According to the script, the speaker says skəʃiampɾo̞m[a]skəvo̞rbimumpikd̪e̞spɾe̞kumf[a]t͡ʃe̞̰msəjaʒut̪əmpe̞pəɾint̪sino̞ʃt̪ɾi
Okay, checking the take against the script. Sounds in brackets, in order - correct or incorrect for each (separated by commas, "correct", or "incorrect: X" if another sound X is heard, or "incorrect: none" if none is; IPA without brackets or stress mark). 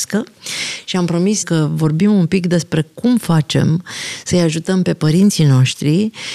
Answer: incorrect: i, correct